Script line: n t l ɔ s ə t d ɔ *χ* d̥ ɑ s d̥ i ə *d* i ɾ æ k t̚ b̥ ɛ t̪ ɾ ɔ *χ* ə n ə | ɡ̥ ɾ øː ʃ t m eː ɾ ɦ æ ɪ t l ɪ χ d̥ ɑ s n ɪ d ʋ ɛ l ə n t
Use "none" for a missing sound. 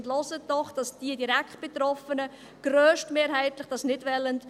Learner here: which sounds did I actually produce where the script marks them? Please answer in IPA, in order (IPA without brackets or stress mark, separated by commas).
χ, d, f